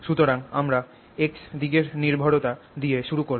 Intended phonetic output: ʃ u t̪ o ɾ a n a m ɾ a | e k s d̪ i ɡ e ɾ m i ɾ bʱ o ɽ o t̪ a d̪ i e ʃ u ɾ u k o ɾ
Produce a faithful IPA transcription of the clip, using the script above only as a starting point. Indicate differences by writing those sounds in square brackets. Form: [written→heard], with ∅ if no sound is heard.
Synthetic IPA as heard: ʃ u t̪ o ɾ a [n→ŋ] a m ɾ a | e k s d̪ i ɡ e ɾ [m→n] i ɾ bʱ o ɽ o t̪ a d̪ i e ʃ u ɾ u k o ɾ